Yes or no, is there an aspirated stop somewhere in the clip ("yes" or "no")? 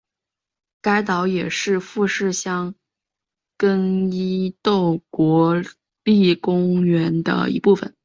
no